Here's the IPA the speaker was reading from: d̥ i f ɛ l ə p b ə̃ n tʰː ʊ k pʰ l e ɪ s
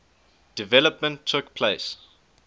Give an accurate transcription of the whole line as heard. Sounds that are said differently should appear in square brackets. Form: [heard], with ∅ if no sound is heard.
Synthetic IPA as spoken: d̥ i [v] ɛ l ə p [m] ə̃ n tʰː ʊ k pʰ l e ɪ s